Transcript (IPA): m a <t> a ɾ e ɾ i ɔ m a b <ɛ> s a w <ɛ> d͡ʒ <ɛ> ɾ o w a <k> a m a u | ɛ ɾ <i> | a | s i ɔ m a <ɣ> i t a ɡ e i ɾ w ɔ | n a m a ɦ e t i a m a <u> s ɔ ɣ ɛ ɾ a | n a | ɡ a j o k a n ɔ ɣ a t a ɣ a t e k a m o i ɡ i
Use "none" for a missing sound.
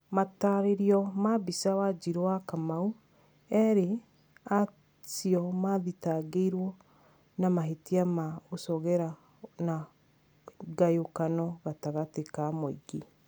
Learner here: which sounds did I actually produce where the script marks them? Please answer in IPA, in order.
t, i, a, i, k, e, ð, o

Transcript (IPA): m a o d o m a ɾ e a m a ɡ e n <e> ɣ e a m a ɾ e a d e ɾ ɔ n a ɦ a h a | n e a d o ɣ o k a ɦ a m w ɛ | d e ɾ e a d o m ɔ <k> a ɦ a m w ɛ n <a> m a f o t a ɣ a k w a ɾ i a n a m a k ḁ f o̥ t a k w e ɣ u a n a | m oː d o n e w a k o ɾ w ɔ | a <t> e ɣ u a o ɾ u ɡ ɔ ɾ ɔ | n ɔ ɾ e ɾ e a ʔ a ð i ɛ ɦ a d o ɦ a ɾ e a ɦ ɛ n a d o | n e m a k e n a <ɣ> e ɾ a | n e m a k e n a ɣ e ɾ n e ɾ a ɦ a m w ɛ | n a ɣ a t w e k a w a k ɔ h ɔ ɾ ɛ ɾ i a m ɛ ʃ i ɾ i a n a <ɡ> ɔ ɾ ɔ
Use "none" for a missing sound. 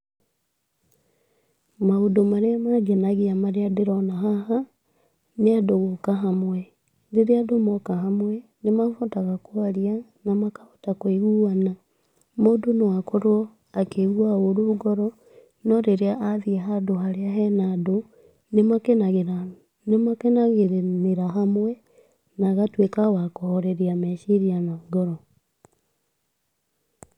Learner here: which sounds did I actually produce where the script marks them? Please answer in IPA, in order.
a, k, e, k, ɣ, ɡ

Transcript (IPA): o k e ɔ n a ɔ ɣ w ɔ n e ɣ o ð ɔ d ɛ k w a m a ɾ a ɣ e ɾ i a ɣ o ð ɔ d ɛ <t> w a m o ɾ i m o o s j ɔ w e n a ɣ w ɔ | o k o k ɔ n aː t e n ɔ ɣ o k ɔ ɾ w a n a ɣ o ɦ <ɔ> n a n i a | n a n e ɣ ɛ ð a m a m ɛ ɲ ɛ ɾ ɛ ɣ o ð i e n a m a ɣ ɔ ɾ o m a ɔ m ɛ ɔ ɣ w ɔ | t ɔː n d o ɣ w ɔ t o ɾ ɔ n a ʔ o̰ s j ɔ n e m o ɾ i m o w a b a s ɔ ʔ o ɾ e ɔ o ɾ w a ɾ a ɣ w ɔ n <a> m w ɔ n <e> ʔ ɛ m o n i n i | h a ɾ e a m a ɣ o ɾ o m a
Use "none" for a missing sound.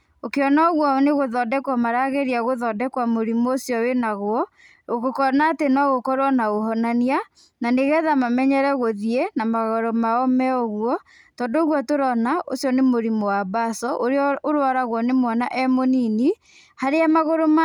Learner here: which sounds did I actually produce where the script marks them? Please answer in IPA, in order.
k, ɔ, e, a

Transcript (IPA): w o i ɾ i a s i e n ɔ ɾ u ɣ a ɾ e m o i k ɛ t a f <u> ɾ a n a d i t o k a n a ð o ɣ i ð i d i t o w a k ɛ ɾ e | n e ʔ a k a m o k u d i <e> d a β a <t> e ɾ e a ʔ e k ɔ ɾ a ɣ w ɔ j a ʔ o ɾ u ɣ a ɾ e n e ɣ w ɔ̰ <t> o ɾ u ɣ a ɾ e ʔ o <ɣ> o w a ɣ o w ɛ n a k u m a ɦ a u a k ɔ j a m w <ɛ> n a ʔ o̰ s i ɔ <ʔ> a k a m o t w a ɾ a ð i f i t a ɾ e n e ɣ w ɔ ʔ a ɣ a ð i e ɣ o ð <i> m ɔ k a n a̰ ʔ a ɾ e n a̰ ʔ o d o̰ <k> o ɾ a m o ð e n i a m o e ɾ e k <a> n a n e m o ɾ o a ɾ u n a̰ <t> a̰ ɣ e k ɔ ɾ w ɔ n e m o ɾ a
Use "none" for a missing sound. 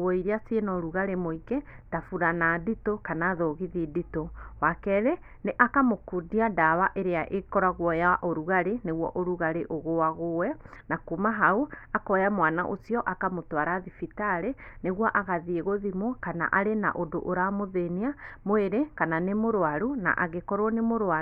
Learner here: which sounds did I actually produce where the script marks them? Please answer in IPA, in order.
u, a, ʔ, ʔ, ɣ, a, ʔ, i, ʔ, a, ʔ

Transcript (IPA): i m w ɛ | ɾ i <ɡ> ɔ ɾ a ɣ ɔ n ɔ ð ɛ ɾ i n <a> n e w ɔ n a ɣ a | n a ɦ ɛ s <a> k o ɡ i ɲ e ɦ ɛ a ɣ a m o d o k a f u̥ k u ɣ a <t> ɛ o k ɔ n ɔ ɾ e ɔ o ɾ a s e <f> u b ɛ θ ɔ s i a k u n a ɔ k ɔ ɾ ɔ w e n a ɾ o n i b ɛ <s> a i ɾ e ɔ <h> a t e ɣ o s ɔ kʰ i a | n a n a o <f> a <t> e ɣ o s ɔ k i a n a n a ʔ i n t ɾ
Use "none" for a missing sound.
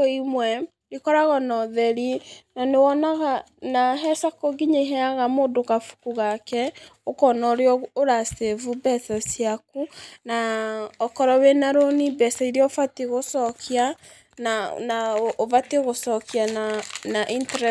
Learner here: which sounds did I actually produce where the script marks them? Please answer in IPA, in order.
k, a, a, k, v, s, f, v, t

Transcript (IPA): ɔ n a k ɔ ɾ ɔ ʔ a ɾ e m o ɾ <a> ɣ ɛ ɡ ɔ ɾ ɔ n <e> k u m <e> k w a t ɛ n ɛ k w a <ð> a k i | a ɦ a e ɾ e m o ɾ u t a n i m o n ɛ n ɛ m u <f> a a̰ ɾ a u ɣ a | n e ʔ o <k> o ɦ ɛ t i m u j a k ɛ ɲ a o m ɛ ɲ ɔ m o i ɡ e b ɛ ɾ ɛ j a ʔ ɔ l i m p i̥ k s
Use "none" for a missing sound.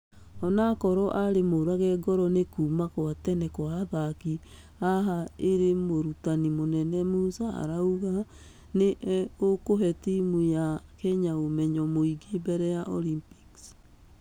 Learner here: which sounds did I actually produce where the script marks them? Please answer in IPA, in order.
a, e, a, ð, s, k

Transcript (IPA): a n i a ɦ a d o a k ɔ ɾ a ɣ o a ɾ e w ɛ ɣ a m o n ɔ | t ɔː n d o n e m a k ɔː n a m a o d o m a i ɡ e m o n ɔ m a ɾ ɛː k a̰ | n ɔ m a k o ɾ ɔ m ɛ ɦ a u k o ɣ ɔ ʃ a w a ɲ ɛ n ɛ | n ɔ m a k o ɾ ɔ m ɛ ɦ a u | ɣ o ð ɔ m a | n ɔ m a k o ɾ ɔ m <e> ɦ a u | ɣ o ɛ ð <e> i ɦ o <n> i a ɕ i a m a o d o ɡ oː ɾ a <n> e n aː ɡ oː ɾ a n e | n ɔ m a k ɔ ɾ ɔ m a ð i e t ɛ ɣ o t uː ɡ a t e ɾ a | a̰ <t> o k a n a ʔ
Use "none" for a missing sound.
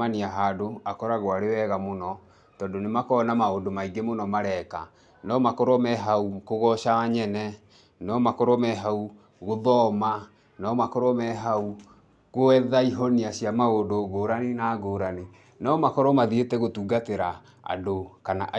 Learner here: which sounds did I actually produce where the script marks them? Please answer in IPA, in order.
ɛ, a, n, n, d

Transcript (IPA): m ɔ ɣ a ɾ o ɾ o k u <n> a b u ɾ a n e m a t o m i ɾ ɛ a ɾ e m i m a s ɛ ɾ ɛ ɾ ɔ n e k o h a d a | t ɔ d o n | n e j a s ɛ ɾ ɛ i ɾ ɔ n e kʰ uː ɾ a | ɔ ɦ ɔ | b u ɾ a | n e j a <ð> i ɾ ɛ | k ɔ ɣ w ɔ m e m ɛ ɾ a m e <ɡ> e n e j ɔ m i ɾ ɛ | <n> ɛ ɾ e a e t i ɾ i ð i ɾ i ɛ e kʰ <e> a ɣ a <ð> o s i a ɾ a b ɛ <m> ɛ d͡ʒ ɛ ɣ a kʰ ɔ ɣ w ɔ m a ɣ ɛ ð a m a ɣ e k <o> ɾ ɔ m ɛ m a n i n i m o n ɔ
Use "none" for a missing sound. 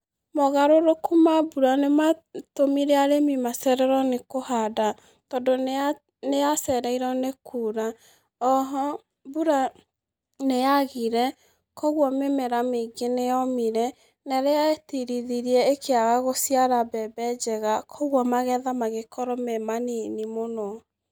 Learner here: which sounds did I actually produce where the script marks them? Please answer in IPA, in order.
m, ɣ, ɡ, n, e, ɣ, b, ɔ

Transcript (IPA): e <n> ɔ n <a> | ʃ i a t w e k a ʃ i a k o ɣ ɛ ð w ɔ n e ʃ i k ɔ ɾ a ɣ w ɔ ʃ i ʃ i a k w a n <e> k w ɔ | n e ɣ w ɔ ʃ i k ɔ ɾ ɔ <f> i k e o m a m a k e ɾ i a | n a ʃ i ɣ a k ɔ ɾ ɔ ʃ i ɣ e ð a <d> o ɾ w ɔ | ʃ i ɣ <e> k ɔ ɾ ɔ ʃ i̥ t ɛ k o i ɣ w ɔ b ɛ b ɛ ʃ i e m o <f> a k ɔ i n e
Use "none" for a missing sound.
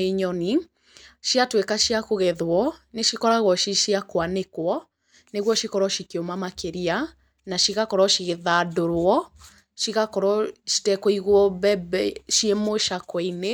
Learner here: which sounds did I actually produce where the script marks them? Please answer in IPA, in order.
ɲ, i, e, ʃ, d, a, ʃ

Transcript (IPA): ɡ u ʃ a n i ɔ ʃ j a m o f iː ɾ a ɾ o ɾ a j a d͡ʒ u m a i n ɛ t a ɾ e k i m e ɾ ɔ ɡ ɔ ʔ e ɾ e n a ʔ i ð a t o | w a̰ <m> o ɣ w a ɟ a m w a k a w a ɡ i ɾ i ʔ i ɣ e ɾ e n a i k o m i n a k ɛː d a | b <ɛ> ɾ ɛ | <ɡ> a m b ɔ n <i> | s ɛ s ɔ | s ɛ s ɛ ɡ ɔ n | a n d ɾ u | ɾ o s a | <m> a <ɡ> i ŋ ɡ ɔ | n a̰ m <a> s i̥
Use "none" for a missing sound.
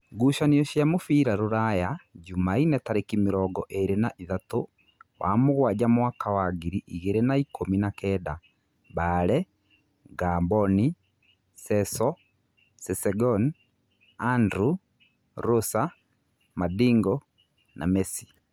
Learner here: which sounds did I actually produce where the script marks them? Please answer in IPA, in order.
m, a, ɡ, i, m, d, ɛ

